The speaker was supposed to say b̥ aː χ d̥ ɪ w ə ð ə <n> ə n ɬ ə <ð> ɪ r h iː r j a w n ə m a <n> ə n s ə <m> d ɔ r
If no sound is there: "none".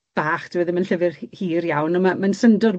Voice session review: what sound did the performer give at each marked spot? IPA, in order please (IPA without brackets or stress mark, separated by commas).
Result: m, v, m, n